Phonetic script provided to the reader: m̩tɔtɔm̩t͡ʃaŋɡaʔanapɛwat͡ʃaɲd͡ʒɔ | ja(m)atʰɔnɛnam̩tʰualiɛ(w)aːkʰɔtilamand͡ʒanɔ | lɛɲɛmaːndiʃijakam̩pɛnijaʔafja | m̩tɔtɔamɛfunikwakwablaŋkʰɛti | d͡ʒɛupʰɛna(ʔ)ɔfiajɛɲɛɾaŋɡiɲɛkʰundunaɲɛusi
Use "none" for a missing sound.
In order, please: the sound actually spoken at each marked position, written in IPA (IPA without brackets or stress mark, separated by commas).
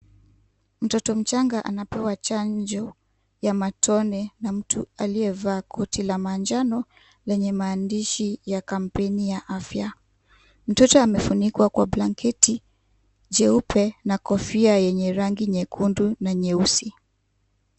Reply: m, v, k